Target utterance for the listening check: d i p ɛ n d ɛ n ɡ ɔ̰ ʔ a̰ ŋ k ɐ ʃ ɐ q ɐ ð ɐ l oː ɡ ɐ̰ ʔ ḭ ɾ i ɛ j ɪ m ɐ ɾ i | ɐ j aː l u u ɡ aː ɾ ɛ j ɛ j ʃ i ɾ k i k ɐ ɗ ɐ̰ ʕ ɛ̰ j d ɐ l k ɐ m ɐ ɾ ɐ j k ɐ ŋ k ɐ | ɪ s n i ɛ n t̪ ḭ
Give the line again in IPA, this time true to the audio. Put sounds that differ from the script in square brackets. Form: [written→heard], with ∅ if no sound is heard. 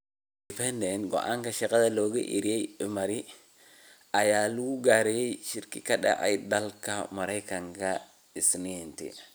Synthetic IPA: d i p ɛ n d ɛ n ɡ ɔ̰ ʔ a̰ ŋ k ɐ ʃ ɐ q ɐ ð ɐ l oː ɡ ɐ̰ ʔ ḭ ɾ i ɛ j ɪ m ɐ ɾ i | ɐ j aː l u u ɡ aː ɾ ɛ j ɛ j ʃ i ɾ k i k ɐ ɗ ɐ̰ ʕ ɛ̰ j d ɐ l k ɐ m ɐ ɾ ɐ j k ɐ ŋ k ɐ | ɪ s n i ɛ n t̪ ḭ

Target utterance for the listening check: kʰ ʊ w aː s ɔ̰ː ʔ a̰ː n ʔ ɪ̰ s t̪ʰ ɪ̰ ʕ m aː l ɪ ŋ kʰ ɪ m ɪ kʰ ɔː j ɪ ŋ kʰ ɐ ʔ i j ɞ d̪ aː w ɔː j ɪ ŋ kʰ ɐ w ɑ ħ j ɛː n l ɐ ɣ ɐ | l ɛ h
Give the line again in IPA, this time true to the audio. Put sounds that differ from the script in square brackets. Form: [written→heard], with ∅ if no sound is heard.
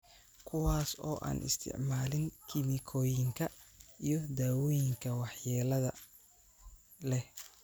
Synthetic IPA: kʰ ʊ w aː s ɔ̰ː ʔ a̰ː n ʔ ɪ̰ s t̪ʰ ɪ̰ ʕ m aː l ɪ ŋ kʰ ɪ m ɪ kʰ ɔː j ɪ ŋ kʰ ɐ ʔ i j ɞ d̪ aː w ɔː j ɪ ŋ kʰ ɐ w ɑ ħ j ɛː [n→∅] l ɐ [ɣ→ð] ɐ | l ɛ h

